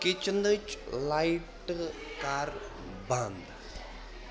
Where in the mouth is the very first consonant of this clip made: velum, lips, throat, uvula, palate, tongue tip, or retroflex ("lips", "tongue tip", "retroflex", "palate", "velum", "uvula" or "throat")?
velum